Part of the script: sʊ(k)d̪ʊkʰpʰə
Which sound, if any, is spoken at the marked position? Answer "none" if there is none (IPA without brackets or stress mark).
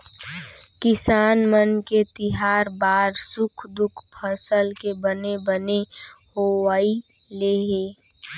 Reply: kʰ